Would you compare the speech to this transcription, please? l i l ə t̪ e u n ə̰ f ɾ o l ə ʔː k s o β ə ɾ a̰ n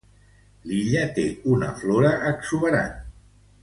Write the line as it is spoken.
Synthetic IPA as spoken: l i ʎ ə t̪ e u n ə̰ f l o ɾ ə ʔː k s u β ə ɾ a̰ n